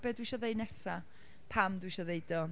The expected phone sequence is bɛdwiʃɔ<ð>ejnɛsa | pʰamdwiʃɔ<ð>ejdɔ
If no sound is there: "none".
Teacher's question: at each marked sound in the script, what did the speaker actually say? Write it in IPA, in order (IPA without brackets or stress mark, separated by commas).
ð, ð